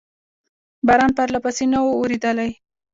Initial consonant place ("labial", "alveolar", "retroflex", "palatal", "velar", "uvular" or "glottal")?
labial